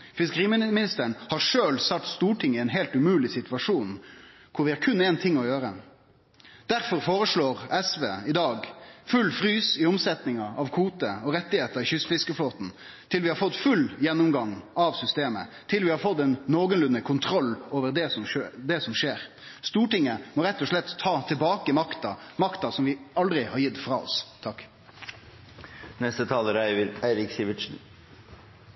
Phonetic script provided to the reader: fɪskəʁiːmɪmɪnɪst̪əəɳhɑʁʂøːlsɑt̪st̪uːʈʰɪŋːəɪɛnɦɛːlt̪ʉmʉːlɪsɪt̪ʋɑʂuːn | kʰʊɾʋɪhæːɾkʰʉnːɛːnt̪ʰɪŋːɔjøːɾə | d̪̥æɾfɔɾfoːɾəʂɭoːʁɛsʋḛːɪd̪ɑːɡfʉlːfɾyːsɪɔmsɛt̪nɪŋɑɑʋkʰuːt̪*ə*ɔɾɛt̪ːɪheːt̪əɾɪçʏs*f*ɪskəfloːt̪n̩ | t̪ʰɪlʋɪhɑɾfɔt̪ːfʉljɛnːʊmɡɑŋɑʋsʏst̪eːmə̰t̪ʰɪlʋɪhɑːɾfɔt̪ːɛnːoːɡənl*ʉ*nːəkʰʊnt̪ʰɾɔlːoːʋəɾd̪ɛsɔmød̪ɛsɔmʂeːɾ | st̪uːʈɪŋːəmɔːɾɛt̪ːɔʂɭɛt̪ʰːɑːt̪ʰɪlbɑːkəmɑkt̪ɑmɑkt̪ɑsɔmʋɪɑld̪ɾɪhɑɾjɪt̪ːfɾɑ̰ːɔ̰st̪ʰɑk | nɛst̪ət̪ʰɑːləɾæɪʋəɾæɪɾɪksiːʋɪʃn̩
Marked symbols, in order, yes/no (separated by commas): yes, yes, yes